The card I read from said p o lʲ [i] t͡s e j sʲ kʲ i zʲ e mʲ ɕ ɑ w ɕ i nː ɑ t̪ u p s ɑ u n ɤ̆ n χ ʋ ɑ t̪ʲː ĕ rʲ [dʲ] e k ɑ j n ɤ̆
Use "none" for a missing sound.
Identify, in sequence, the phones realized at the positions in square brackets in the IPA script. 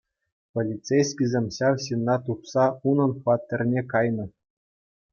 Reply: i, nʲ

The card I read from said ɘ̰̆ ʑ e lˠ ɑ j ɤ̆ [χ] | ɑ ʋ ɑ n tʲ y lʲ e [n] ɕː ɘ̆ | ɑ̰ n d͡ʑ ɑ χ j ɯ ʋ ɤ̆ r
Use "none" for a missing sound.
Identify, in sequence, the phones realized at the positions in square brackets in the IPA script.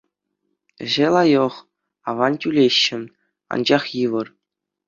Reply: χ, none

